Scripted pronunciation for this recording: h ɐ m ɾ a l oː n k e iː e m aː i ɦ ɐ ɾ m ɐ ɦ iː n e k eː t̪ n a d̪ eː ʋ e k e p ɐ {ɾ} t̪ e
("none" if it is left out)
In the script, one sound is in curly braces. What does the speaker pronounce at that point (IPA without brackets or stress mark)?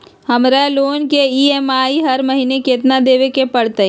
ɽ